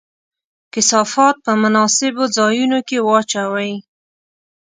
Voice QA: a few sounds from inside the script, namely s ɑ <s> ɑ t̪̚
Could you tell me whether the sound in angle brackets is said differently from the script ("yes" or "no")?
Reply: yes